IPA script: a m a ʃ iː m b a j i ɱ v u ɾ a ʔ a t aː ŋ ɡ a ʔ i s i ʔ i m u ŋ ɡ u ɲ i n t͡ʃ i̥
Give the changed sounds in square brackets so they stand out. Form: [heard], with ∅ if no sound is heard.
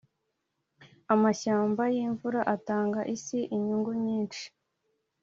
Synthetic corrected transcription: a m a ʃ [aː] m b a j i ɱ v u ɾ a ʔ a t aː ŋ ɡ a ʔ i s i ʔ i [ɲ] u ŋ ɡ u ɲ [iː] n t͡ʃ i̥